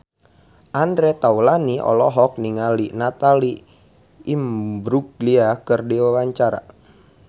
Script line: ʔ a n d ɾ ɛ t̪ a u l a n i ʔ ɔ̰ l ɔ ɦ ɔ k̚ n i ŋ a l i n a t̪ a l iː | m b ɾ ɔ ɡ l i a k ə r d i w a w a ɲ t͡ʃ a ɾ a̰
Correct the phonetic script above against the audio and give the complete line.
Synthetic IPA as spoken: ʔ a n d ɾ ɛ t̪ a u l a n i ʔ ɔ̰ l ɔ ɦ ɔ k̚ n i ŋ a l i n a t̪ a l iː | m b ɾ u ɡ l i a k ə r d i w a w a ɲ t͡ʃ a ɾ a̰